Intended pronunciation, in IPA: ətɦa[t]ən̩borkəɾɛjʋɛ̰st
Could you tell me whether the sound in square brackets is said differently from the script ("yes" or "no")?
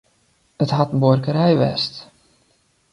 no